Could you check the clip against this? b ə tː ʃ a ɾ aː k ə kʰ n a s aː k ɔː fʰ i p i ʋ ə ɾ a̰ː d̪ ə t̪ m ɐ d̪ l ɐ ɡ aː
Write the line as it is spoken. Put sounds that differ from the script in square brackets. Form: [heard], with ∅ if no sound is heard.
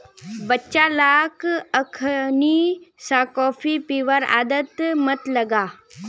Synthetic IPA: b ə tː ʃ a [l] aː k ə kʰ n [i] s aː k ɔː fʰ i p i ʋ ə ɾ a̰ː d̪ ə t̪ m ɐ [t̪] l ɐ ɡ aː